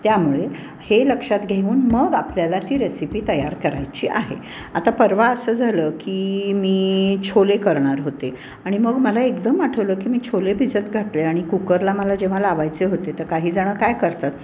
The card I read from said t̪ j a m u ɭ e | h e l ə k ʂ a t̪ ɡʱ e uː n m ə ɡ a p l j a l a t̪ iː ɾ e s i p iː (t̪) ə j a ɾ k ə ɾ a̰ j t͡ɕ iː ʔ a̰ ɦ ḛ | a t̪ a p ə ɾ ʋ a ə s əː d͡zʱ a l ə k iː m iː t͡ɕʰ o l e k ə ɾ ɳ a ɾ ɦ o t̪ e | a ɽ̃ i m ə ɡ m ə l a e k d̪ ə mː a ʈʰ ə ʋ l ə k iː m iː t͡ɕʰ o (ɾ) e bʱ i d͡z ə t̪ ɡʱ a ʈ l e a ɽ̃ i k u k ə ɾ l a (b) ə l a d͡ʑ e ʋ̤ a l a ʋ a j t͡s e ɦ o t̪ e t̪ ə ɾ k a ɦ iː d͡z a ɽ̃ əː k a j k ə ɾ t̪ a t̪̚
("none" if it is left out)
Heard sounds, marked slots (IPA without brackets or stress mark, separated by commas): t̪, l, m